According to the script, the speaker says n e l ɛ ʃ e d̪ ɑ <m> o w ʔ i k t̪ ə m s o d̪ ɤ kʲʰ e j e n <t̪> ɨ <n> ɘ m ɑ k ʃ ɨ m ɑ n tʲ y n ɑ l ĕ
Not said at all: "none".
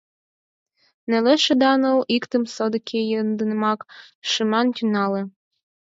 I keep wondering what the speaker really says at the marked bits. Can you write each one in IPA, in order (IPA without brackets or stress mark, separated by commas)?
n, d̪, n